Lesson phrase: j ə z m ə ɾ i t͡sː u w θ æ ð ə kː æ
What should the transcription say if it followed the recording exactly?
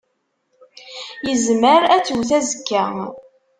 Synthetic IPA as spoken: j ə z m ə ɾ æ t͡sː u w θ æ z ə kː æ